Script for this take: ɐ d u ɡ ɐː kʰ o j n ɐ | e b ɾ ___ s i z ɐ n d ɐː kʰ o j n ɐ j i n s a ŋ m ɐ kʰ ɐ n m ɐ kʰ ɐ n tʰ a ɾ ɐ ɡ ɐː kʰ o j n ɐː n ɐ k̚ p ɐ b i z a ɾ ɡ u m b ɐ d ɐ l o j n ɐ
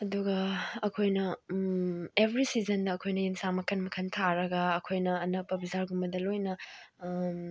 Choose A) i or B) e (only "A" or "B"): A